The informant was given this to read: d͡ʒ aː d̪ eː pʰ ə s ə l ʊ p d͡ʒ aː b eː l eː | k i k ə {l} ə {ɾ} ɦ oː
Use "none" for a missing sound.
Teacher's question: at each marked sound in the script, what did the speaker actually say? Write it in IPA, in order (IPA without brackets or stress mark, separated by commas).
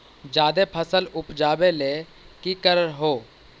ɾ, ɾ